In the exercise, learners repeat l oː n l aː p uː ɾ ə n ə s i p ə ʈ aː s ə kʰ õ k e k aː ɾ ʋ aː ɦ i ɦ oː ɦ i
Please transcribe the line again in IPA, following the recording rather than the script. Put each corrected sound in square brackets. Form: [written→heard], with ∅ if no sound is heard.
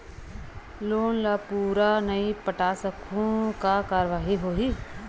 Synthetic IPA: l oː n l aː p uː ɾ [ə→a] n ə [s→∅] i p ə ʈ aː s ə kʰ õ k [e→a] k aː ɾ ʋ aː ɦ i ɦ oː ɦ i